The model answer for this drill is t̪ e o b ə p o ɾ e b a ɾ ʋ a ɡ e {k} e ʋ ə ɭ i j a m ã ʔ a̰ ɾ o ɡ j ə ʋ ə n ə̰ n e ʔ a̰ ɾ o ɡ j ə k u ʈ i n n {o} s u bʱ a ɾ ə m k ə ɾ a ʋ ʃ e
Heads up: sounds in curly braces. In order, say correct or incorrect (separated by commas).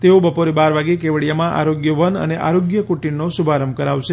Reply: correct, correct